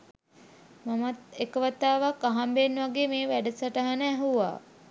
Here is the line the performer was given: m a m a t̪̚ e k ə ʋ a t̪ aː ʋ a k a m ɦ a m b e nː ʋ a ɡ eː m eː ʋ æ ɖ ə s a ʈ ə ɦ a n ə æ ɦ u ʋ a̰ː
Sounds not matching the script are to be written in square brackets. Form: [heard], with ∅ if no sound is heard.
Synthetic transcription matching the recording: m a m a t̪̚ e k ə ʋ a t̪ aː ʋ a k a [∅] ɦ a m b e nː ʋ a ɡ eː m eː ʋ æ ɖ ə s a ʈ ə ɦ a n ə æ ɦ u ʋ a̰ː